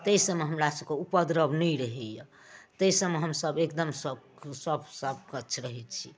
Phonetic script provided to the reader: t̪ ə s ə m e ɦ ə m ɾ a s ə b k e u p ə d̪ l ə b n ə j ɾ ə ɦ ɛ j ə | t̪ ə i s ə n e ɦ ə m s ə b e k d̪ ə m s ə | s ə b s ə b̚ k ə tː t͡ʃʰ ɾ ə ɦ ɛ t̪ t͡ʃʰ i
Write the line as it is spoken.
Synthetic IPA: t̪ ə s ə m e ɦ ə m ɾ a s ə b k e u p ə d̪ ɾ ə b n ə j ɾ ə ɦ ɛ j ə | t̪ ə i s ə m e ɦ ə m s ə b e k d̪ ə m s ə | s ə b s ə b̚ k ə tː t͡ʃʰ ɾ ə ɦ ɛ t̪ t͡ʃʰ i